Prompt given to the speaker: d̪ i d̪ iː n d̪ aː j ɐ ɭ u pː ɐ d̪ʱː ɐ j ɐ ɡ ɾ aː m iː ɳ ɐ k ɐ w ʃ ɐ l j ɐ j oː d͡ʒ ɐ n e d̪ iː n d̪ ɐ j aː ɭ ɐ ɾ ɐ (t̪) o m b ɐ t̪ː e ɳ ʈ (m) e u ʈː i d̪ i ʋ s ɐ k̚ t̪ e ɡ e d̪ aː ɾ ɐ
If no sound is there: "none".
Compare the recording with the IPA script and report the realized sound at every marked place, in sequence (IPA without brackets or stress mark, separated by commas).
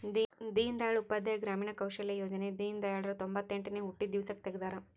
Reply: t̪, n